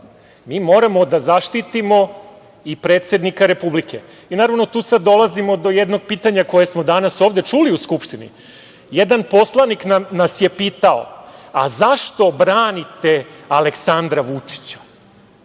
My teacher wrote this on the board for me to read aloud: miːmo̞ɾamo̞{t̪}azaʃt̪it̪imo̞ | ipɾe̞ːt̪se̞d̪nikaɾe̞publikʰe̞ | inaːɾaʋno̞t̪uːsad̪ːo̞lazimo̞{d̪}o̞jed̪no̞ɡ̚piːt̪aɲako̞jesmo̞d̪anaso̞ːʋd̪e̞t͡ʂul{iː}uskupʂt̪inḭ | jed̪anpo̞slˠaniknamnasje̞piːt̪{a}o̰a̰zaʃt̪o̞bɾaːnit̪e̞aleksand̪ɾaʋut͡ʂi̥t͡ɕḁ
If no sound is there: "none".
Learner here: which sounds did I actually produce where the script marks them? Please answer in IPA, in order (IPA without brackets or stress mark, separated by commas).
d̪, d̪, i, a